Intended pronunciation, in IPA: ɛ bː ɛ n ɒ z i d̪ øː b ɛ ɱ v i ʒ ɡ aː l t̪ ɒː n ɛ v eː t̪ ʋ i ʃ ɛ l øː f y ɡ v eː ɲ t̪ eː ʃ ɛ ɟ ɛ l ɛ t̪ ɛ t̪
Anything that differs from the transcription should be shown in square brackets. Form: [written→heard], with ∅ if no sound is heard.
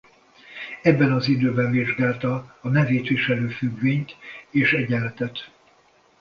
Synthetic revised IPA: ɛ bː ɛ n ɒ z i d̪ øː b ɛ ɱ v i ʒ ɡ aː l t̪ ɒː n ɛ v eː t̪ ʋ i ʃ ɛ l øː f y ɡ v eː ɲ t̪ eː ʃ ɛ ɟ ɛ l ɛ t̪ ɛ t̪